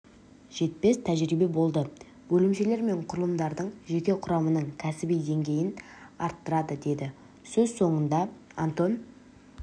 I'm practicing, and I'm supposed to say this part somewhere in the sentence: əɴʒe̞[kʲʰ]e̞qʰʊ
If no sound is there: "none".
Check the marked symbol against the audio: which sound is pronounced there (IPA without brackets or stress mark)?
kʲ